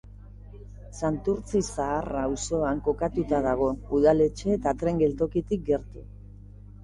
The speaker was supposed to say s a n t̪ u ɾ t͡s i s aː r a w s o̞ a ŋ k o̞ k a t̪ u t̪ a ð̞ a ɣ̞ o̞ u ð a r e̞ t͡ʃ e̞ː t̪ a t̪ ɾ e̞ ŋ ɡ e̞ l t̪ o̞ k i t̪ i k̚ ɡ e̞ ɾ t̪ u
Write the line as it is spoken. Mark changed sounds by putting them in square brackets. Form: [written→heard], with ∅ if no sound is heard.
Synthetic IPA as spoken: s a n t̪ u ɾ t͡s i s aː r a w s o̞ a ŋ k o̞ k a t̪ u t̪ a ð̞ a ɣ̞ o̞ u ð a [r→l] e̞ t͡ʃ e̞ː t̪ a t̪ ɾ e̞ ŋ ɡ e̞ l t̪ o̞ k i t̪ i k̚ ɡ e̞ ɾ t̪ u